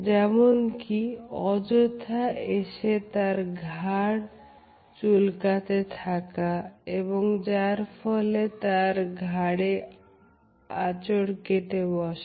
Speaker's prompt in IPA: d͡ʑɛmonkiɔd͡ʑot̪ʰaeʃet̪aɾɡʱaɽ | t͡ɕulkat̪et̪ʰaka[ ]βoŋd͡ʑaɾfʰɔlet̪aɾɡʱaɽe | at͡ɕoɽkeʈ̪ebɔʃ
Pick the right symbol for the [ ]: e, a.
e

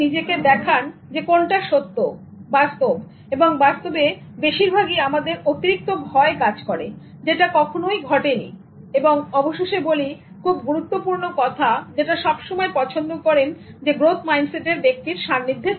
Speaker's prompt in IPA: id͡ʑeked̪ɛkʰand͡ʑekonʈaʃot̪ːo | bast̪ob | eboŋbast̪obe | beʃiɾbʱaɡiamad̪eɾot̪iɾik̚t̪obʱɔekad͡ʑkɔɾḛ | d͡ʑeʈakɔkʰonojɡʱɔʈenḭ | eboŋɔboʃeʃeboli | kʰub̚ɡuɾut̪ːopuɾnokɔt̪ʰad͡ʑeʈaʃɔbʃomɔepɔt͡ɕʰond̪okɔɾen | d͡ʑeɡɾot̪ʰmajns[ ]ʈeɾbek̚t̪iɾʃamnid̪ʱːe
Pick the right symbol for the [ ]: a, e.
e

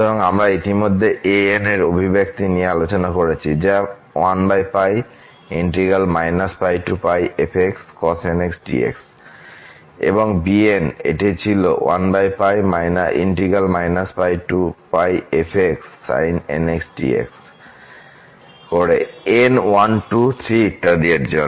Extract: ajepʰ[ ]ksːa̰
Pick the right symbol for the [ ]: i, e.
e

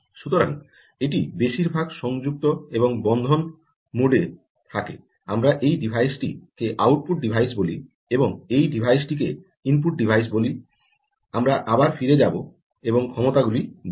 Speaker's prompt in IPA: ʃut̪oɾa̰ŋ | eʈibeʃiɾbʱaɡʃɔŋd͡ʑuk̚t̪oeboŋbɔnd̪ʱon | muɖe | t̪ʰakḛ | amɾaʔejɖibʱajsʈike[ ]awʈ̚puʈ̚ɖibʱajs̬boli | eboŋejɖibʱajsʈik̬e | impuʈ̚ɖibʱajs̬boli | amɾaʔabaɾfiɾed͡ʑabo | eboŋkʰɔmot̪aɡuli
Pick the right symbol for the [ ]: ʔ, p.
ʔ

